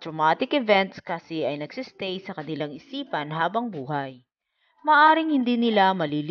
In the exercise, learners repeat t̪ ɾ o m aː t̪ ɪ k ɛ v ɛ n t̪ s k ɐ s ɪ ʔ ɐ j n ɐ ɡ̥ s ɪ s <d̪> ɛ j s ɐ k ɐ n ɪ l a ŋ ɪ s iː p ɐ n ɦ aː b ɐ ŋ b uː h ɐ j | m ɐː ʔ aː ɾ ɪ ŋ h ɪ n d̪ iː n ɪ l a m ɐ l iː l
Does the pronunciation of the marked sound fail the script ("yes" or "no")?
yes